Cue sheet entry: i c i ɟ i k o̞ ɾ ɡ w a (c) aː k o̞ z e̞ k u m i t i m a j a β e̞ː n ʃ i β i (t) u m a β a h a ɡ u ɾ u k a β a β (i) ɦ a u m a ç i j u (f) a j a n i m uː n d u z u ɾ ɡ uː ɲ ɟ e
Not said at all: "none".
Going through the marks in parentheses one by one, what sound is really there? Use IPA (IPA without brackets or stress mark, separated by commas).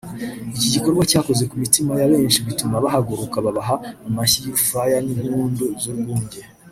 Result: c, t, a, f